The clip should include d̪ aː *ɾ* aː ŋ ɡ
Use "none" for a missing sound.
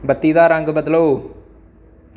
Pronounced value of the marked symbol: ɾ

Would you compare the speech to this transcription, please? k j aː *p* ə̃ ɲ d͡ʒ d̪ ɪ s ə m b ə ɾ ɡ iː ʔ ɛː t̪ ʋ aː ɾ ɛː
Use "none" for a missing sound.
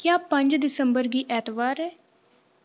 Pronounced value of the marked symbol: p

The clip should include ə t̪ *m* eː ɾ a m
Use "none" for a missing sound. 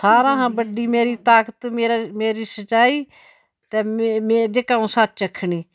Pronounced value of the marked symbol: m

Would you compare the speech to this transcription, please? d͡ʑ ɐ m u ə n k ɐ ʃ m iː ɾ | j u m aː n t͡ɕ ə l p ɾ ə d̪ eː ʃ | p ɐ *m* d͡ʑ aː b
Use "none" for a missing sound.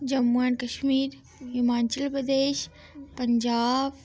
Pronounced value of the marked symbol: ɲ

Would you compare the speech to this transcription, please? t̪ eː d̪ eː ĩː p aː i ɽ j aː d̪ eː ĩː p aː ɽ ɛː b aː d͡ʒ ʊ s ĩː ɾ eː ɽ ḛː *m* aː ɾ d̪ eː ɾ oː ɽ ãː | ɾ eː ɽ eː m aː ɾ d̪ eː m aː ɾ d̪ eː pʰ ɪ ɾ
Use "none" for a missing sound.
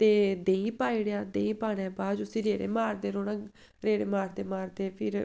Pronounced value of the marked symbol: m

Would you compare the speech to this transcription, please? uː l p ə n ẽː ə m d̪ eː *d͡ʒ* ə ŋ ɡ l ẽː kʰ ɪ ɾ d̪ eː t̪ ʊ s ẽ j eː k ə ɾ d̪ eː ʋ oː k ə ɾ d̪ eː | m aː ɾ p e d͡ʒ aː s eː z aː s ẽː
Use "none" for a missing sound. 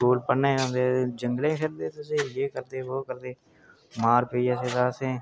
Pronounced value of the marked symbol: d͡ʒ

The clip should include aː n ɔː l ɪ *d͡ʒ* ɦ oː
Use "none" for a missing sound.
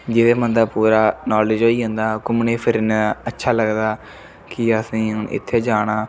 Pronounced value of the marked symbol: d͡ʒ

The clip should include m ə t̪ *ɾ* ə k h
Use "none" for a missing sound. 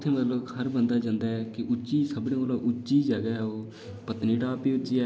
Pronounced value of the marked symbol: l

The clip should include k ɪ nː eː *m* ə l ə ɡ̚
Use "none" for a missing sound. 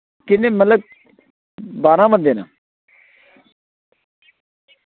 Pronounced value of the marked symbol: m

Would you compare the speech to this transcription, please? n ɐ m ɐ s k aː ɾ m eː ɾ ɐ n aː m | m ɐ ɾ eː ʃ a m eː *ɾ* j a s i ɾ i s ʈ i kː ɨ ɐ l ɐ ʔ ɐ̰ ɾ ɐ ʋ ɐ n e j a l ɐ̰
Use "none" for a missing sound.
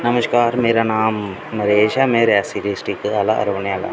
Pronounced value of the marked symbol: ɾ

